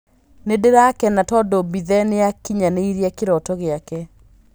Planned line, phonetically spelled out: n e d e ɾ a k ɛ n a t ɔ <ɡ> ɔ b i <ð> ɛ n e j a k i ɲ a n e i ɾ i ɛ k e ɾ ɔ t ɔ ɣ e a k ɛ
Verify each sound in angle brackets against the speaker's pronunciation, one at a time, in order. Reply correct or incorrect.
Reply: incorrect: d, correct

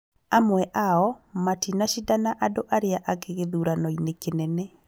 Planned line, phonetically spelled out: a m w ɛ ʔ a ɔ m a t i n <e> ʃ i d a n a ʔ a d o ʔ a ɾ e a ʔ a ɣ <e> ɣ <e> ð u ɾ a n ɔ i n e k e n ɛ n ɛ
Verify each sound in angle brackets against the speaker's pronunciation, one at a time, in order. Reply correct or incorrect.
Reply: incorrect: a, correct, correct

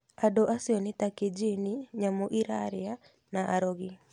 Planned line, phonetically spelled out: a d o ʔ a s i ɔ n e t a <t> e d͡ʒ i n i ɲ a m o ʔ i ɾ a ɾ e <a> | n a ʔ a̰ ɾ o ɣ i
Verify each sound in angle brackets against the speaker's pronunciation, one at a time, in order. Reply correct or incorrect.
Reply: incorrect: k, correct

